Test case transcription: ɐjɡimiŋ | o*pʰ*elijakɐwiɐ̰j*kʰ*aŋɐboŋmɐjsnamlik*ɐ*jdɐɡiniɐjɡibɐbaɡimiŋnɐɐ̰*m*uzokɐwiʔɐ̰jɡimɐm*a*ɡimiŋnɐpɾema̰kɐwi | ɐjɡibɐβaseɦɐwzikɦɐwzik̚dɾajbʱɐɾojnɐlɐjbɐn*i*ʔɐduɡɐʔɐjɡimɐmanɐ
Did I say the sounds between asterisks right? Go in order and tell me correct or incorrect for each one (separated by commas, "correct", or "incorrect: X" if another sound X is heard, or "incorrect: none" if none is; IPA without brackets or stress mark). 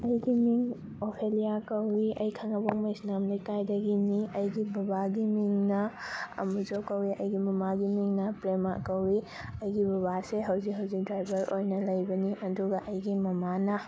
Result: correct, correct, incorrect: a, correct, correct, correct